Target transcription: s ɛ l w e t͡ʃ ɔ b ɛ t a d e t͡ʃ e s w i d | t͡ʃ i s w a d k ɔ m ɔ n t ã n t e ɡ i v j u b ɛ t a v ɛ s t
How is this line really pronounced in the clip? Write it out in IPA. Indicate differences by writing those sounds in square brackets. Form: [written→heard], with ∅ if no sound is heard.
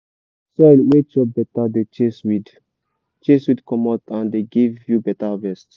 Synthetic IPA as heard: s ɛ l w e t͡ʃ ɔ b ɛ t a d e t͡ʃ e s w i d | t͡ʃ [i→e] s w [a→i] d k ɔ m ɔ [n→∅] t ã n [t→d] e ɡ i v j u b ɛ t a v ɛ s t